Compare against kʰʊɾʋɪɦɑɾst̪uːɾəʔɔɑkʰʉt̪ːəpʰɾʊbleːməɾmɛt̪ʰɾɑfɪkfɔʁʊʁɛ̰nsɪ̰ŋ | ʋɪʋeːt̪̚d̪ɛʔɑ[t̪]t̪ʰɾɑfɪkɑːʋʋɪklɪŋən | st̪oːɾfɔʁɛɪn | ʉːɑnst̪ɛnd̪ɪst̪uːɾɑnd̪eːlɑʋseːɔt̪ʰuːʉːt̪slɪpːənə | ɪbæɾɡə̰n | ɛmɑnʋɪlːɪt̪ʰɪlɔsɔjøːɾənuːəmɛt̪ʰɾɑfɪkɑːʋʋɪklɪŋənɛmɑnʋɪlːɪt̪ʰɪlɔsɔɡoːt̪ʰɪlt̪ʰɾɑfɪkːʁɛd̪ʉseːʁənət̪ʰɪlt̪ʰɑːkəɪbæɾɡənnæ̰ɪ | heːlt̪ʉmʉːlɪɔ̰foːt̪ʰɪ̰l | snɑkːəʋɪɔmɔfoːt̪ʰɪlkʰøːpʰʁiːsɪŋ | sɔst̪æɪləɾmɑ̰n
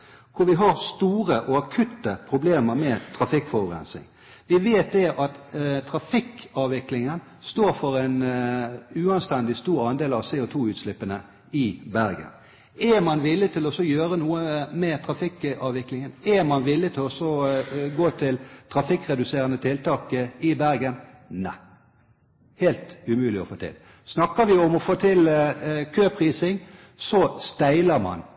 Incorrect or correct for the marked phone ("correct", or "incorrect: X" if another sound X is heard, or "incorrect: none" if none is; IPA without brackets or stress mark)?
correct